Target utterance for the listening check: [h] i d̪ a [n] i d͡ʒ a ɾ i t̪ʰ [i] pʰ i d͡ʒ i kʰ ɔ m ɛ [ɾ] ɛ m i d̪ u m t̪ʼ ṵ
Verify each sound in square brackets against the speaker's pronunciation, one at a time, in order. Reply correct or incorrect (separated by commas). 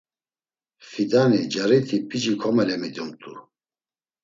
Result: incorrect, correct, correct, incorrect